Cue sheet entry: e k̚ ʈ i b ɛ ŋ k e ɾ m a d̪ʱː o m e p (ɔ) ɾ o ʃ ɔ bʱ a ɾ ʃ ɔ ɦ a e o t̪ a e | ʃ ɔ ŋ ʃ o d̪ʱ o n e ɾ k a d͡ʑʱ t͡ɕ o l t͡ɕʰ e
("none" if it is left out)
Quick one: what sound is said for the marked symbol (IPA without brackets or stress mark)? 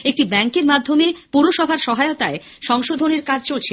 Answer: u